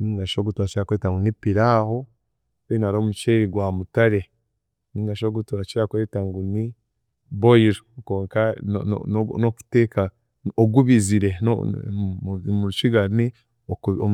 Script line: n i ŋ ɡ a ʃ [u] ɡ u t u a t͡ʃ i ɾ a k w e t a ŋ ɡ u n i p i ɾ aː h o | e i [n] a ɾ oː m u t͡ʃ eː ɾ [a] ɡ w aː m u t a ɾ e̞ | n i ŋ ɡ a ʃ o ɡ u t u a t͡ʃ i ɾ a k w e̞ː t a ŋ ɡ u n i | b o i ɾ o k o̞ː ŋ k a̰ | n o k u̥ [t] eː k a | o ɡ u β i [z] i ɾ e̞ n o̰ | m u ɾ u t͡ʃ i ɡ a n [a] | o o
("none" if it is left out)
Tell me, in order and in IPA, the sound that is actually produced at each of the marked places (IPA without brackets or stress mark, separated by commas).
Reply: o, n, i, t, z, i